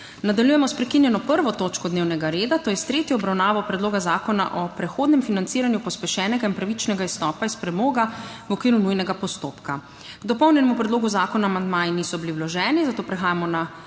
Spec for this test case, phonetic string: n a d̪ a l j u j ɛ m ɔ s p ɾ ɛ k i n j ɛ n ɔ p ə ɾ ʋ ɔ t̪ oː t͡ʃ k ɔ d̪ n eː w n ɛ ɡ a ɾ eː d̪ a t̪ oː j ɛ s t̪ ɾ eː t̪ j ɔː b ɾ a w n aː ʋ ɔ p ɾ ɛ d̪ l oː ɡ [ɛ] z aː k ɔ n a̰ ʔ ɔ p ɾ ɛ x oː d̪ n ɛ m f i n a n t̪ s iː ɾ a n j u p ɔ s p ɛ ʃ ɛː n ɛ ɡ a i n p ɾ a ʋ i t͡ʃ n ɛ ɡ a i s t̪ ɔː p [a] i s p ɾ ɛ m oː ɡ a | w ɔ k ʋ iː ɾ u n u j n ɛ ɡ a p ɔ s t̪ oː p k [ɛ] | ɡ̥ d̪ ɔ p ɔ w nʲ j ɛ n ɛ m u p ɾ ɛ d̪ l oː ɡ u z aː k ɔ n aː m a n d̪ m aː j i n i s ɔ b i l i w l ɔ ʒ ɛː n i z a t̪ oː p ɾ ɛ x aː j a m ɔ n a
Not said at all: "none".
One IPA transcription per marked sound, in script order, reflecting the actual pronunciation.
a, a, a

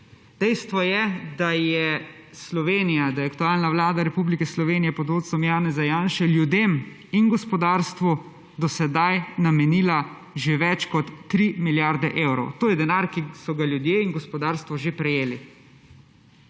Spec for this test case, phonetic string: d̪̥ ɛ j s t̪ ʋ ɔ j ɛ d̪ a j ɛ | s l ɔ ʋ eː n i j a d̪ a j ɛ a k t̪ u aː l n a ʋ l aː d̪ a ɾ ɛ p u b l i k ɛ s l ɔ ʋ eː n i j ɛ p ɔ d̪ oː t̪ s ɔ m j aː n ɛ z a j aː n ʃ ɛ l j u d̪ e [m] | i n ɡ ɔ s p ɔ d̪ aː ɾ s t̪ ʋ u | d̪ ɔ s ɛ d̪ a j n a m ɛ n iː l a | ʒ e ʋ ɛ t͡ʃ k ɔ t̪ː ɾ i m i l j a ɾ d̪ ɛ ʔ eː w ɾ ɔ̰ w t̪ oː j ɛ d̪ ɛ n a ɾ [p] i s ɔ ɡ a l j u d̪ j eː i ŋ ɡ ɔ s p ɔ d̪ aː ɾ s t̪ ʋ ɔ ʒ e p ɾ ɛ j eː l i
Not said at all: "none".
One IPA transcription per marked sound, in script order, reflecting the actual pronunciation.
m, k

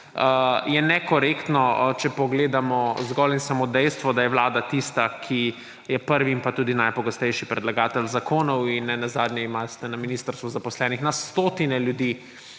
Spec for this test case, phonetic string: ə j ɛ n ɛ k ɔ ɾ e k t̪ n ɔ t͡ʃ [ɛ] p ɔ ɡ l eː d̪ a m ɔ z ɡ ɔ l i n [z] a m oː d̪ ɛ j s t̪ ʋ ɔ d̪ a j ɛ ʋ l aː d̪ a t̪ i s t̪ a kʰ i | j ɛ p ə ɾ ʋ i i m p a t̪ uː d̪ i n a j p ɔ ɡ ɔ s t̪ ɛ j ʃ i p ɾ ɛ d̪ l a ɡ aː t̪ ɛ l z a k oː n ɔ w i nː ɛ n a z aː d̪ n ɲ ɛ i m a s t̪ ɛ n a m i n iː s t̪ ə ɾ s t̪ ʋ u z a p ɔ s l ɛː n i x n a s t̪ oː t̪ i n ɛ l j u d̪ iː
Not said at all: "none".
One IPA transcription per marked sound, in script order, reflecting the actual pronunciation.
ɛ, s

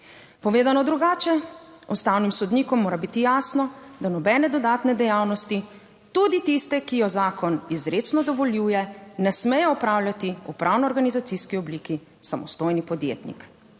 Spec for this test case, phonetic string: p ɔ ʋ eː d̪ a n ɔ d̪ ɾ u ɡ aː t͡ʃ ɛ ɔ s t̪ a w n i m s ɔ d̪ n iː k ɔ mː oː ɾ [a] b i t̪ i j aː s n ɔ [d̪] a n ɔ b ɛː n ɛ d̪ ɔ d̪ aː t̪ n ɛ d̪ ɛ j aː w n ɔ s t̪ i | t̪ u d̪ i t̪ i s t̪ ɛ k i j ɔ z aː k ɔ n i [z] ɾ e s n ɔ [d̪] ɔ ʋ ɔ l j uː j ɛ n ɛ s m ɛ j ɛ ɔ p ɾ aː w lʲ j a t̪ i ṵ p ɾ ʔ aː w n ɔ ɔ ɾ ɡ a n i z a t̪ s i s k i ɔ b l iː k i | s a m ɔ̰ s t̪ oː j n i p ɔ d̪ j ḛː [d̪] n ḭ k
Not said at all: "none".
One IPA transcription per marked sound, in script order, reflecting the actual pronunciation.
a, d̪, z, d̪, t̪

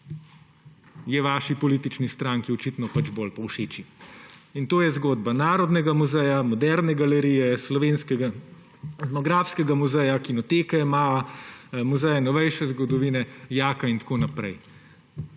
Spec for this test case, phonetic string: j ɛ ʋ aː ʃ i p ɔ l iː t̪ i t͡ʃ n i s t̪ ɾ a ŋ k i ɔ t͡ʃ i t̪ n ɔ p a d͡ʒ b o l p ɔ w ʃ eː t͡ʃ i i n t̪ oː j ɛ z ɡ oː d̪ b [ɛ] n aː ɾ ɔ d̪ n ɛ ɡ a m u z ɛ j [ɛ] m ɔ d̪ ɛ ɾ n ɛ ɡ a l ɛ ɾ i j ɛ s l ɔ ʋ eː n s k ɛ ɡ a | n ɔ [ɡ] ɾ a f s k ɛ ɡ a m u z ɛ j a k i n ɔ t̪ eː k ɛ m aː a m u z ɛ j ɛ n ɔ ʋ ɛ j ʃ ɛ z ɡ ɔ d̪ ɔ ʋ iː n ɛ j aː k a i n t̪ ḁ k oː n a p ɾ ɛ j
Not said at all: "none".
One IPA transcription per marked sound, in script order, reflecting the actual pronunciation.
a, a, ɡ

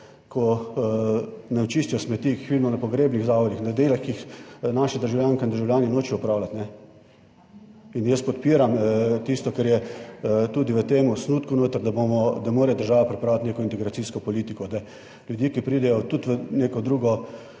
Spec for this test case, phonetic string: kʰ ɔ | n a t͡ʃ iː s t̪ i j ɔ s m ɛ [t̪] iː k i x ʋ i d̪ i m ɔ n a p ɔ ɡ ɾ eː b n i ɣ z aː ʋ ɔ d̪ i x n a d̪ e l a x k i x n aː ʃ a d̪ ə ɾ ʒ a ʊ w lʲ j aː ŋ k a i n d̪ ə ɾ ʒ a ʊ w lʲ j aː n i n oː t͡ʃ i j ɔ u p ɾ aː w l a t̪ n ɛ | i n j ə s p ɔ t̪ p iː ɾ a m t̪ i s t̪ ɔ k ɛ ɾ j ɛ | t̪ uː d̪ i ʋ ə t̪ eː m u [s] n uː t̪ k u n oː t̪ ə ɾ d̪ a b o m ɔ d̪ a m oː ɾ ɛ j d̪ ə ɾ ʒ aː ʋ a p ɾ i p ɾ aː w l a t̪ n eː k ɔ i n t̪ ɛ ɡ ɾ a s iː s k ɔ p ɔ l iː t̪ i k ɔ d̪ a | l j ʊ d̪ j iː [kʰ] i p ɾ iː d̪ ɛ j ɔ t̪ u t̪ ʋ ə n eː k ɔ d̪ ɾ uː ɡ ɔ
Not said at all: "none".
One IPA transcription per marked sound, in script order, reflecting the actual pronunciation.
t̪, s, k

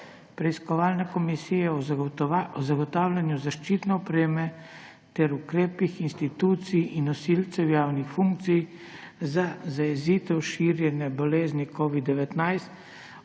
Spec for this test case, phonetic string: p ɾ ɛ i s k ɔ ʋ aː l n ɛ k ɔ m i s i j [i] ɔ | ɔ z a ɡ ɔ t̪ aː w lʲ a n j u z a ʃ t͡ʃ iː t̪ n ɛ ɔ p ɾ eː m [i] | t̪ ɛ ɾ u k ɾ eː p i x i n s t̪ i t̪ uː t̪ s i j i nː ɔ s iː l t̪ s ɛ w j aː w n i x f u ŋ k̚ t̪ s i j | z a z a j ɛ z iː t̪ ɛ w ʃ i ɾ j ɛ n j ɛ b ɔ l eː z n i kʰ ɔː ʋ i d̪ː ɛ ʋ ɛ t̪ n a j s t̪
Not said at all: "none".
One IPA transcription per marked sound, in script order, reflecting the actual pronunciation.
ɛ, ɛ

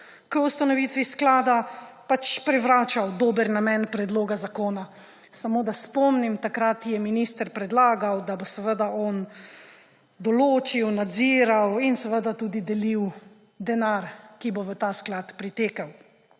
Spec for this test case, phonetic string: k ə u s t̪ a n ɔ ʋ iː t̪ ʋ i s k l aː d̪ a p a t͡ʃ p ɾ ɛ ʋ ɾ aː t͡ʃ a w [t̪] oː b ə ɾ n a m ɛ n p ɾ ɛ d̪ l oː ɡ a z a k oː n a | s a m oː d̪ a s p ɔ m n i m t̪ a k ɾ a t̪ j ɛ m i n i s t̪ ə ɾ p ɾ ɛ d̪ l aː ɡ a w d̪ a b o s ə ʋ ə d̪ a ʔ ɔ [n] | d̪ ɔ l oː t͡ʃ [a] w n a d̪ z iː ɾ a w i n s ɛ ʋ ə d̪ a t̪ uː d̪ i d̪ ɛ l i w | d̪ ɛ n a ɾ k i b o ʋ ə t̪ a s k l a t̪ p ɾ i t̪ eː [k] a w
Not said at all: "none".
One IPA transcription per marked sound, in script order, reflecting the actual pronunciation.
d̪, n, i, k

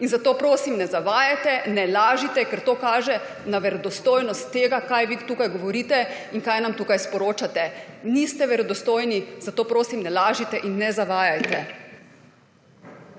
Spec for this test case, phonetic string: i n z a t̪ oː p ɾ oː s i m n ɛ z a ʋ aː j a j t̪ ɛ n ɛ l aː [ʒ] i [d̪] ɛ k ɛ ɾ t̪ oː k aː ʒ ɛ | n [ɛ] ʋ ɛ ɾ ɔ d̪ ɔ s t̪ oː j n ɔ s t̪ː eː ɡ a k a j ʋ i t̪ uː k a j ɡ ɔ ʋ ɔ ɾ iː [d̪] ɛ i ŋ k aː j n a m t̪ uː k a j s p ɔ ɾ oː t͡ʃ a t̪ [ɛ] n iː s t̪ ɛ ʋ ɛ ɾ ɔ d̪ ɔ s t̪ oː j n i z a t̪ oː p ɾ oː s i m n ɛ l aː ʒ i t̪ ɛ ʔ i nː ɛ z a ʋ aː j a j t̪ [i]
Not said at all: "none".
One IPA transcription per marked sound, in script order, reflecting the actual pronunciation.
ʒ, t̪, a, t̪, ɛ, ɛ

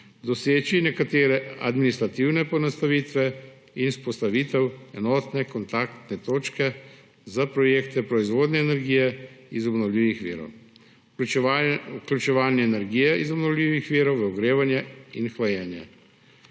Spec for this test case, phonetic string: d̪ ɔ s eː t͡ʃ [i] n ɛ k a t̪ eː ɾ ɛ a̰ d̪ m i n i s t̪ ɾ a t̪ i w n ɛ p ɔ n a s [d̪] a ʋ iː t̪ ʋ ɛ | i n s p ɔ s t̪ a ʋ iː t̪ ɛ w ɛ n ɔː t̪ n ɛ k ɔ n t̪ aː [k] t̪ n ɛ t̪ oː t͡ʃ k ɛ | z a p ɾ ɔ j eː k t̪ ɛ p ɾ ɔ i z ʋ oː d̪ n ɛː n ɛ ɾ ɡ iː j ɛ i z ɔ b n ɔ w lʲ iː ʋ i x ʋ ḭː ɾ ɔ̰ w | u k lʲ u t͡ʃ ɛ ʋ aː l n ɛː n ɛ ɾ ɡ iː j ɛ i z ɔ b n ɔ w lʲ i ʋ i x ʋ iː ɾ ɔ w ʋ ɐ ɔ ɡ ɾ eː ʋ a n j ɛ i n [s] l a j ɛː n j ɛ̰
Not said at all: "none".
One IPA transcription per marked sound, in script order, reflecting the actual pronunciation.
i, t̪, k, x

